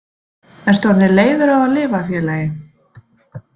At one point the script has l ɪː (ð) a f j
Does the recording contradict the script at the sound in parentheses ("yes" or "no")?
yes